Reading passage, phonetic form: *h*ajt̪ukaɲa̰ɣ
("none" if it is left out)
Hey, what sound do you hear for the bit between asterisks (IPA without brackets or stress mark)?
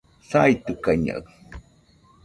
s